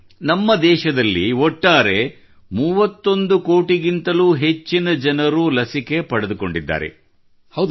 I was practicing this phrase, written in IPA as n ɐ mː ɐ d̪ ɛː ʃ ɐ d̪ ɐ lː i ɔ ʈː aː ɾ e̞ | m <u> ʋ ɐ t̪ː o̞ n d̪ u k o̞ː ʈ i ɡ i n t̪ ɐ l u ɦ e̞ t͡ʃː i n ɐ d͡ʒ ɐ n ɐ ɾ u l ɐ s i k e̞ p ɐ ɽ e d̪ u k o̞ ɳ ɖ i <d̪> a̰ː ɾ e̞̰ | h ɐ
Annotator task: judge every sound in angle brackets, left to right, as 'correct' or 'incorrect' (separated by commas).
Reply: incorrect, incorrect